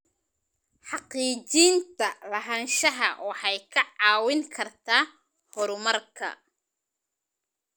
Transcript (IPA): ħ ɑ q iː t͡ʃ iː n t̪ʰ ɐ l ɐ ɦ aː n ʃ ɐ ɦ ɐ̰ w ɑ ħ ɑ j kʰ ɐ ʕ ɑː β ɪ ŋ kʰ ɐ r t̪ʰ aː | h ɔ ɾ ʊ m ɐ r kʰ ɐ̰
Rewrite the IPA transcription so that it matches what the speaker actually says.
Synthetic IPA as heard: ħ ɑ q iː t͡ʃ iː n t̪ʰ ɐ l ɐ ɦ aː n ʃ ɐ ɦ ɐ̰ w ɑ ħ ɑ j kʰ ɐ ʕ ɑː w ɪ ŋ kʰ ɐ r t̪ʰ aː | h ɔ ɾ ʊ m ɐ r kʰ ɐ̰